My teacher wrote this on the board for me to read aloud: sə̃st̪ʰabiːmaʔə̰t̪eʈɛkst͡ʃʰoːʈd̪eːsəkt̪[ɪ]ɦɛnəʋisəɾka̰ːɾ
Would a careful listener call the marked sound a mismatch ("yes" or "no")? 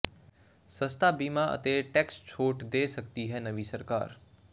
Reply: yes